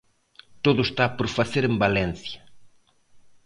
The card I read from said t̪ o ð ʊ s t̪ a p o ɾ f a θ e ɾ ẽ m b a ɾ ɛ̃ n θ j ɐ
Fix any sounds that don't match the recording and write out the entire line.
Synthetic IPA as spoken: t̪ o ð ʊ s t̪ a p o ɾ f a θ e ɾ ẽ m b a l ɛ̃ n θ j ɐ